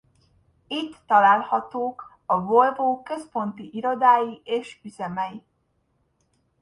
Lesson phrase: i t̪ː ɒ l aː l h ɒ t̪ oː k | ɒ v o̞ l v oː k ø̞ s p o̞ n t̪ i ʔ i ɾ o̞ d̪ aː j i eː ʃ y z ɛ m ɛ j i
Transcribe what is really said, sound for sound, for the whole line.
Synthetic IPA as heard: i t̪ː ɒ l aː l h ɒ t̪ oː k | ɒ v o̞ l v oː k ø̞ s p o̞ n t̪ i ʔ i ɾ o̞ d̪ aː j i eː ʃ y z ɛ m ɛ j i